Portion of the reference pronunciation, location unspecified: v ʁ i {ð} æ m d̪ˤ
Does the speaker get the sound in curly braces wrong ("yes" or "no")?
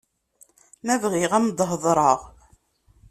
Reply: yes